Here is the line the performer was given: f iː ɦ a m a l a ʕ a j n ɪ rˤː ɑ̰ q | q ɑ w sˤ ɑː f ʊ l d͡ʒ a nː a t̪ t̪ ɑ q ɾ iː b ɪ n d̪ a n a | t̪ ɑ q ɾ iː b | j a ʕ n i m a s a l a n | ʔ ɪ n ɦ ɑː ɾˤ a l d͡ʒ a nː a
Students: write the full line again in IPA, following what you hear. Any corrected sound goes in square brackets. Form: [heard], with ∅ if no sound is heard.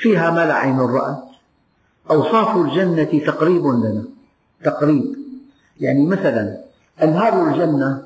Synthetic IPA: f iː ɦ a m a l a ʕ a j n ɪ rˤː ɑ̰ [ʔ] | [ʔ] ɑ w sˤ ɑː f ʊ l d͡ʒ a nː a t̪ t̪ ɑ q ɾ iː b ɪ n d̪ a n a | t̪ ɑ q ɾ iː b | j a ʕ n i m a [θ] a l a n | ʔ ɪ n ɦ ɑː ɾˤ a l d͡ʒ a nː a